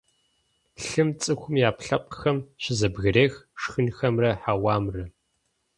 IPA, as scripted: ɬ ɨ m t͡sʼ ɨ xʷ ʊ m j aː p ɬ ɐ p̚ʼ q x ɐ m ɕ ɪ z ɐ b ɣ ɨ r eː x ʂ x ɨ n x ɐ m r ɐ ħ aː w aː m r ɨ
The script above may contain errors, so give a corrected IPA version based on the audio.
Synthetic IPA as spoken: ɬ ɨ m t͡sʼ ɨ xʷ ʊ m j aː p ɬ ɐ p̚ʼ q x ɐ m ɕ ɪ z ɐ b ɣ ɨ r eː x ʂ x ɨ n x ɐ m r ɐ ħ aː w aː m r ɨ